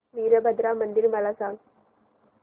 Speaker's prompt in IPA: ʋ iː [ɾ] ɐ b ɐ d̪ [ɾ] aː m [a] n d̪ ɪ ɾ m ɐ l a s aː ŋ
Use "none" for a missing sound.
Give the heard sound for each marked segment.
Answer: ɾ, ɾ, ɐ

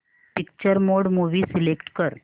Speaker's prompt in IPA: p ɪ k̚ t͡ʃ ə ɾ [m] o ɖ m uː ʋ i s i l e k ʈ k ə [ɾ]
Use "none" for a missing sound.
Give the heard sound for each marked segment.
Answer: m, ɾ

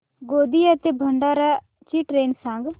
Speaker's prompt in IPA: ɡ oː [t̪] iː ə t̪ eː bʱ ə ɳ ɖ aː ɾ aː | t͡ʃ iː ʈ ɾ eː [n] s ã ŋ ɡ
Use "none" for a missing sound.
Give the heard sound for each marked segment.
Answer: d̪, n

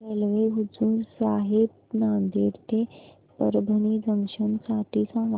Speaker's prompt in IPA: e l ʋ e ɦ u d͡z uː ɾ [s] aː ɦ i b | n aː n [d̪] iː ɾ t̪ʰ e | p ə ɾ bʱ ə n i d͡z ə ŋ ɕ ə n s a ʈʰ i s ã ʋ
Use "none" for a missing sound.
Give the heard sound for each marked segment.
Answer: s, d̪

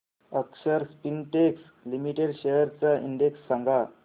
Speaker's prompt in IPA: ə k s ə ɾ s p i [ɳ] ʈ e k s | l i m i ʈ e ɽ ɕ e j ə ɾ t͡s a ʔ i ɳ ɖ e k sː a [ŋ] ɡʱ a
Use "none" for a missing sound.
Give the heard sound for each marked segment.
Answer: n, ŋ

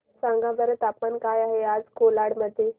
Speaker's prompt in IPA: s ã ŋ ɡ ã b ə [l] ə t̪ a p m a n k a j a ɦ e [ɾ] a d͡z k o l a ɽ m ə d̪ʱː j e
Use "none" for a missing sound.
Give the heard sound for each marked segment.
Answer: ɾ, none

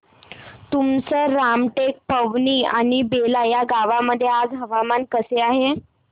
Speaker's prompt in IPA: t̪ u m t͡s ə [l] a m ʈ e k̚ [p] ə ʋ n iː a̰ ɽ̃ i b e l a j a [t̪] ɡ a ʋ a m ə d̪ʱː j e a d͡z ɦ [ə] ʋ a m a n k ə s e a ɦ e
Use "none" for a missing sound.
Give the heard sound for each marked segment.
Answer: ɾ, p, none, ə

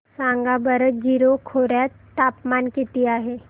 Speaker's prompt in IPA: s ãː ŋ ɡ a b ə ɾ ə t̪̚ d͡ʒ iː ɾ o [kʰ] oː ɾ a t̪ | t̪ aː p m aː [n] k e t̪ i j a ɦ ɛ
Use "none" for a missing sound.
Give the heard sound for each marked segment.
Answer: kʰ, n

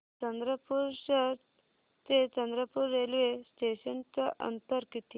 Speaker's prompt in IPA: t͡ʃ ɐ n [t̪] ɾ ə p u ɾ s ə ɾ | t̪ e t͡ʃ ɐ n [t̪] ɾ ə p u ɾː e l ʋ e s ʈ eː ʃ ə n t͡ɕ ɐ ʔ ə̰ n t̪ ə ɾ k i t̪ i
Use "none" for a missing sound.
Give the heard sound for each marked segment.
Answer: d̪, d̪

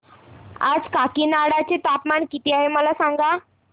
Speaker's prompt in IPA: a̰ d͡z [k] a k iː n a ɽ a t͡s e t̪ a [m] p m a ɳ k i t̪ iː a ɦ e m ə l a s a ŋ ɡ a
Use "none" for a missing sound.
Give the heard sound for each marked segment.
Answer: k, none

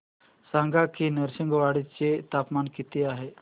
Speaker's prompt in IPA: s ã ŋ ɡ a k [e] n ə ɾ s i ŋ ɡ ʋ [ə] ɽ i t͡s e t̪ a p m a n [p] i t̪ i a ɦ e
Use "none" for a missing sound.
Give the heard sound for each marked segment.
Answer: i, a, k

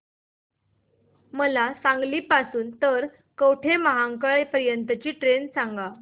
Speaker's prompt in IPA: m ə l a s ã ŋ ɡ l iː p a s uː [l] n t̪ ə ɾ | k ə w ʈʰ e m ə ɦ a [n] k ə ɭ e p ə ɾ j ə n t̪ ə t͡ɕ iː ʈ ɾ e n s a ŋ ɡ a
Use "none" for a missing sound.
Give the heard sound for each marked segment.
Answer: none, ŋ

